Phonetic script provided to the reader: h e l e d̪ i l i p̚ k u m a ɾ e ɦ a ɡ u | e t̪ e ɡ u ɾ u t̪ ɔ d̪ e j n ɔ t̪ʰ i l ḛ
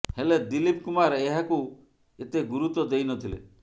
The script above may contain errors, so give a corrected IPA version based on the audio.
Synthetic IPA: h e l e d̪ i l i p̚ k u m a ɾ e ɦ a k u | e t̪ e ɡ u ɾ u t̪ ɔ d̪ e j n ɔ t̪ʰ i l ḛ